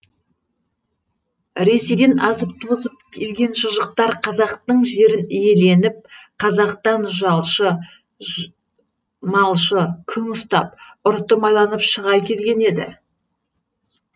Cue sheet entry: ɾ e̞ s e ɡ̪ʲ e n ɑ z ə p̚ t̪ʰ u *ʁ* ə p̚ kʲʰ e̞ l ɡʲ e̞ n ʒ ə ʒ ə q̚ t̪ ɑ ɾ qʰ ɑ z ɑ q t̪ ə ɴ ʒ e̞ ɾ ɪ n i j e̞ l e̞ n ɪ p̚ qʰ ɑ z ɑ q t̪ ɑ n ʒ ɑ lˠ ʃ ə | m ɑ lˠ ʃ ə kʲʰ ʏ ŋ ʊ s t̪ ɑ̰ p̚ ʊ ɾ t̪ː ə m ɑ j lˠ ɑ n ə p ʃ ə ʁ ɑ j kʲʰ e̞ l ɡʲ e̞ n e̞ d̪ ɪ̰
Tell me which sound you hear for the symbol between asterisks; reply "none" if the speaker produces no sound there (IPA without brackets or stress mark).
z